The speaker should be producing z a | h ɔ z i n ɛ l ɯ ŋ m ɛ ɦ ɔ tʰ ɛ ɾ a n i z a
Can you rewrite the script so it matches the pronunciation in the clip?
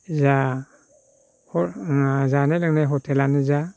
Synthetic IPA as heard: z a | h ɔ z a n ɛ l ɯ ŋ n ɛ ɦ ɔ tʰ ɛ l a n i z a